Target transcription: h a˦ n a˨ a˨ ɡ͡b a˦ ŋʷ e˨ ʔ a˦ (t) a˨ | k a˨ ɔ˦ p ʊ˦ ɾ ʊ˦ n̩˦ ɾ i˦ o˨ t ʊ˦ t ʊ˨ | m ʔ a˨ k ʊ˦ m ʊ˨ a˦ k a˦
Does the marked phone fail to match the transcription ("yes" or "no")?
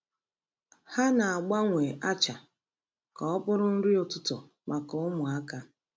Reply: yes